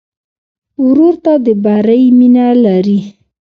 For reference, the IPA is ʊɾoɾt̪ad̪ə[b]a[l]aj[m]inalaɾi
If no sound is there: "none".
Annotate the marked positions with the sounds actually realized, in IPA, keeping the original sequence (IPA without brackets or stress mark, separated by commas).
b, ɾ, m